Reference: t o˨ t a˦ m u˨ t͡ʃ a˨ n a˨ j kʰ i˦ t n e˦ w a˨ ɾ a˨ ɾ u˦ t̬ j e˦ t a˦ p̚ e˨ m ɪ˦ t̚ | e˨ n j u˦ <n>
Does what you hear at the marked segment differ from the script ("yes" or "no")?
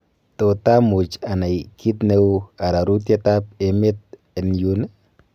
no